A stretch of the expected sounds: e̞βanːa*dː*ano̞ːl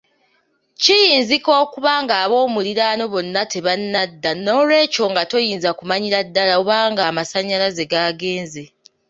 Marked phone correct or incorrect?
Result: correct